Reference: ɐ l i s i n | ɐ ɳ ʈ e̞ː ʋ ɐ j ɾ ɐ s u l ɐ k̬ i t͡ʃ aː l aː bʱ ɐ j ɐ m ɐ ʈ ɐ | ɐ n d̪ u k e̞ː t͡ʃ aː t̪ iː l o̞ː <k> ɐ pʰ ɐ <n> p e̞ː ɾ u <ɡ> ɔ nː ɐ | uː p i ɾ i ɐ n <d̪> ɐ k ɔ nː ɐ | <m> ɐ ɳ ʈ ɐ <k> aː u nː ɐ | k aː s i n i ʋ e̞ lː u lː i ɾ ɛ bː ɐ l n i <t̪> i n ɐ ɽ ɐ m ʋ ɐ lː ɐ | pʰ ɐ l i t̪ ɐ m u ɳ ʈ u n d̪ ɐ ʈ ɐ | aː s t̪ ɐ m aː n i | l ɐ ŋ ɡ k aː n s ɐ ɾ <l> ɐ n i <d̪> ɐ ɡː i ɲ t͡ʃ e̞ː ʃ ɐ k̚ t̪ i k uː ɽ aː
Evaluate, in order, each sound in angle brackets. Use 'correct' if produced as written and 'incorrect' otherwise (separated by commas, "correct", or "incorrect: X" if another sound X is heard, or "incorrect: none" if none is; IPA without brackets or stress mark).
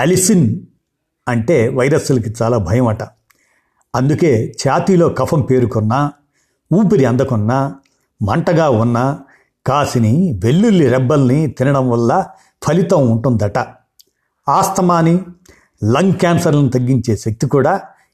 correct, incorrect: m, incorrect: k, correct, correct, incorrect: ɡ, correct, correct, incorrect: t̪